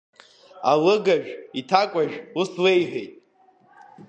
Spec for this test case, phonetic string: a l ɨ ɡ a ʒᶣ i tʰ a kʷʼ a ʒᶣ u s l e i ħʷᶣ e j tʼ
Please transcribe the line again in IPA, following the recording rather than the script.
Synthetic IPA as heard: a l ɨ ɡ a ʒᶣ i tʰ a kʷʼ a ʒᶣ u s l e j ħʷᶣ e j tʼ